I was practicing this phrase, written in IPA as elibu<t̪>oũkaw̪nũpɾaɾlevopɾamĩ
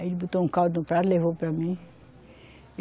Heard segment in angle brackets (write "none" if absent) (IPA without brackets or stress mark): t̪